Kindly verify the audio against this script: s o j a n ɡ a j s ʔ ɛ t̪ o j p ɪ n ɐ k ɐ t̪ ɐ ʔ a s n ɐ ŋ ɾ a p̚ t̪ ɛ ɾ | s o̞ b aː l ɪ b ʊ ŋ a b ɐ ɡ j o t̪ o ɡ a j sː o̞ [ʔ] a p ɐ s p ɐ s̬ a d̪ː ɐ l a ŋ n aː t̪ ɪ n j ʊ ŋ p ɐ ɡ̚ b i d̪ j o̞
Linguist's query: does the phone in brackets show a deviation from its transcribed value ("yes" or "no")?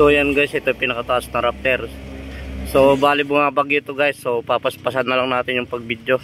yes